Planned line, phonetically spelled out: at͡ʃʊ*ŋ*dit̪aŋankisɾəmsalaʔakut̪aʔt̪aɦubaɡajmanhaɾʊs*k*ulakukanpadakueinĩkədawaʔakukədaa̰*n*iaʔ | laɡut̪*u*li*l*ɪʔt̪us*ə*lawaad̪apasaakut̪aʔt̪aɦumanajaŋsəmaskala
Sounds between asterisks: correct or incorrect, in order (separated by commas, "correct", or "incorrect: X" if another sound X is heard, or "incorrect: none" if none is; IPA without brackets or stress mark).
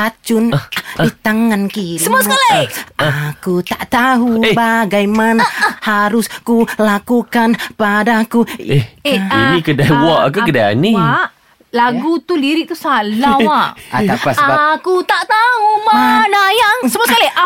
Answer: incorrect: n, correct, correct, correct, incorrect: ɾ, incorrect: a